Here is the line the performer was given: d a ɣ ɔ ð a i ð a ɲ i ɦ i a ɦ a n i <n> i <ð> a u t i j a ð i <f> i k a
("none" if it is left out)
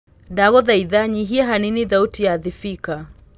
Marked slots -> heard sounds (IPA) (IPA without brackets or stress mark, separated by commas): n, ð, f